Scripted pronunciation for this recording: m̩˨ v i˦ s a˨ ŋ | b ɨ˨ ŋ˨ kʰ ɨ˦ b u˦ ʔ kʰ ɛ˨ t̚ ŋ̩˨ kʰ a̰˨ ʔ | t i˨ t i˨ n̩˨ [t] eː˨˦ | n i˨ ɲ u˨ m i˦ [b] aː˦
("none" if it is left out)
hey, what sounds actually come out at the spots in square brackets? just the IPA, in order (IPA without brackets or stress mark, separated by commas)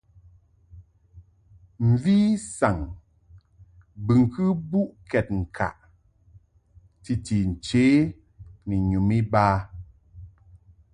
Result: t͡ʃ, b